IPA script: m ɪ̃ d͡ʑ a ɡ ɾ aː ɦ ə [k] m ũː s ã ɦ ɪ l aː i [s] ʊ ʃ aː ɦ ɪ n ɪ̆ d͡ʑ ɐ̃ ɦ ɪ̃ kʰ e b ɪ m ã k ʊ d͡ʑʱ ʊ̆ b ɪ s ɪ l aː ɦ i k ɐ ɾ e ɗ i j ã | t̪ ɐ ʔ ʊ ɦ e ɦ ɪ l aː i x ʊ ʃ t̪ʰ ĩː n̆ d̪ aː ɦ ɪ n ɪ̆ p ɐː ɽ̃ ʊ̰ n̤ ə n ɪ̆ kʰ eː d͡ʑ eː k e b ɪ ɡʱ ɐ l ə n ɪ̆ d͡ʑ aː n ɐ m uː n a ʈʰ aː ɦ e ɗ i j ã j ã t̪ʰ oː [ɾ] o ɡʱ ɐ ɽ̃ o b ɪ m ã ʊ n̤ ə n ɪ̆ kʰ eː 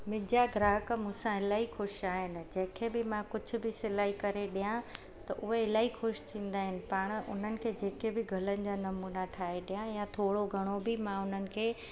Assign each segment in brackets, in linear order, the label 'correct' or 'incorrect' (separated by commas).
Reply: correct, incorrect, incorrect